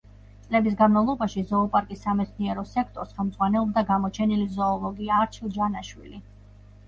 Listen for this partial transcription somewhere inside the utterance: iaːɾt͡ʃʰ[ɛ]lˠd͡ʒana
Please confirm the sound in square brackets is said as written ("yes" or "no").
no